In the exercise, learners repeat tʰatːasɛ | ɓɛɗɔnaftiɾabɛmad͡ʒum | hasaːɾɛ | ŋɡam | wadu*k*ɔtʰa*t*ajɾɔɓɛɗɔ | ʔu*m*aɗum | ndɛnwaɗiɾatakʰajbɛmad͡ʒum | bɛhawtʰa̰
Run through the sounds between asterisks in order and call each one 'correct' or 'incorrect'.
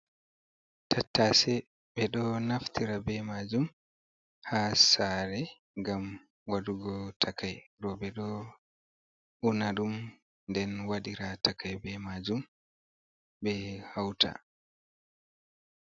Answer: incorrect: ɡ, incorrect: k, incorrect: n

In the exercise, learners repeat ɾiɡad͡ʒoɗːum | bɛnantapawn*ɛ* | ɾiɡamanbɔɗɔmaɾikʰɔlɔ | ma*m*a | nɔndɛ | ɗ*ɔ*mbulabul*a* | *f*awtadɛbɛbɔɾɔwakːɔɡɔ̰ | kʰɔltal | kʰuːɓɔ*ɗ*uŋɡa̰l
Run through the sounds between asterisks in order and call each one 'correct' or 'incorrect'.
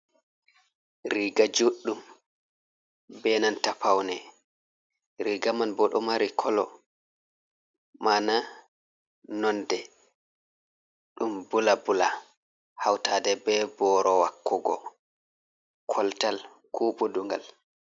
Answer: correct, incorrect: n, incorrect: u, correct, incorrect: h, incorrect: d

